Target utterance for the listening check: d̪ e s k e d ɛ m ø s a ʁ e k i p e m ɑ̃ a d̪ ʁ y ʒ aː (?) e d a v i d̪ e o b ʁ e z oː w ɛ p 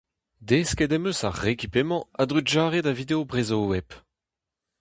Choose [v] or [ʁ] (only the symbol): ʁ